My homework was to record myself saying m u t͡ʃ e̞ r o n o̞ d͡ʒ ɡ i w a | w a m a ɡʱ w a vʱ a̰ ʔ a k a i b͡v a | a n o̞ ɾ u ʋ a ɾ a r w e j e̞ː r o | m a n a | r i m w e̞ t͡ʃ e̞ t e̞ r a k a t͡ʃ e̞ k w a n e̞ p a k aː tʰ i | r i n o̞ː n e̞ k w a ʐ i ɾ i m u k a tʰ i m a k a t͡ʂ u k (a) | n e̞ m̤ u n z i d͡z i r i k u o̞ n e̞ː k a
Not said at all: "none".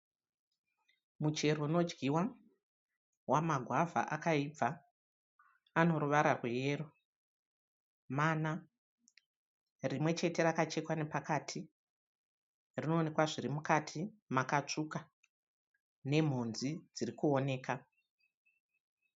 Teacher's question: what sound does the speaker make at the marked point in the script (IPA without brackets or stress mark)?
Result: a